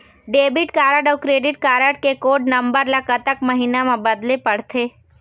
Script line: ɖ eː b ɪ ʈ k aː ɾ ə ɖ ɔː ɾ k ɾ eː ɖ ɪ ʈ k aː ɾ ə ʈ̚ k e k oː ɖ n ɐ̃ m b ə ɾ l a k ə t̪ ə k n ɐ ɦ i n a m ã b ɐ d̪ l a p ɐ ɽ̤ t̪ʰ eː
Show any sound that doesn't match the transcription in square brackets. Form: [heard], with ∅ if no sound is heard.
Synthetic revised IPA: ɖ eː b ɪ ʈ k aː ɾ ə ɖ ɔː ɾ k ɾ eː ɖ ɪ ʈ k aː ɾ ə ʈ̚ k e k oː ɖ n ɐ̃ m b ə ɾ l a k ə t̪ ə k [m] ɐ ɦ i n a m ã b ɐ d̪ l [e] p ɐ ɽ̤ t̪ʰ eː